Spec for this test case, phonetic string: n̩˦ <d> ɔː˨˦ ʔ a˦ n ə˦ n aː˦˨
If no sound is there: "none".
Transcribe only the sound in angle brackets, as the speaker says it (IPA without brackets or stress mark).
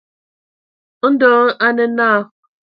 d